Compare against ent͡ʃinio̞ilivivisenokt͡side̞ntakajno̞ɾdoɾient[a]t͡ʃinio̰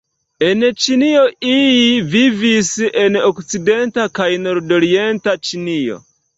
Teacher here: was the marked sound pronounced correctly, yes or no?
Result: yes